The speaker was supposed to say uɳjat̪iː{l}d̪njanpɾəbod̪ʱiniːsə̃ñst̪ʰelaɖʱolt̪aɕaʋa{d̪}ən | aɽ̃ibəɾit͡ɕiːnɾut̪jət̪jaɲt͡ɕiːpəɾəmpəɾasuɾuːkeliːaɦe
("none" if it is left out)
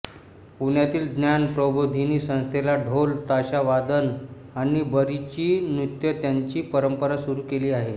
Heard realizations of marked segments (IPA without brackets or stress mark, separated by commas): l, d̪